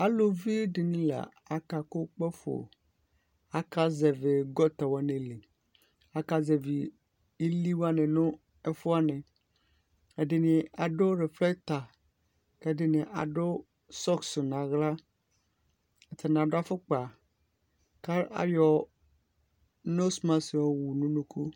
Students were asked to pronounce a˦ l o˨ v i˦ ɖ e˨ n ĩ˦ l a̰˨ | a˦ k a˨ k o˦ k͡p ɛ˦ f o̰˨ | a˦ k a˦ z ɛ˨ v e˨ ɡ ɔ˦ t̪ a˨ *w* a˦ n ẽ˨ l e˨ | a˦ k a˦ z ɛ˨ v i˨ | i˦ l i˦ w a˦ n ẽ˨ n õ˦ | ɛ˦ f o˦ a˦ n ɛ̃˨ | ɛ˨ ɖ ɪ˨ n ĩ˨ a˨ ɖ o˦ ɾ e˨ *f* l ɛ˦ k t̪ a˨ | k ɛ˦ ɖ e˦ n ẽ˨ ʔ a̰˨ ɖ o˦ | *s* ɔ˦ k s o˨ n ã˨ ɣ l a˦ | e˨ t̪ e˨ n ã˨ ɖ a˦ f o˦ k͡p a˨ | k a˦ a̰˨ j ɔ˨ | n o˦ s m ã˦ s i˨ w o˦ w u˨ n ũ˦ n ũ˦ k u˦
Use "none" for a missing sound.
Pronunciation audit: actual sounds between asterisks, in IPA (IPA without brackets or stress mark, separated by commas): w, f, s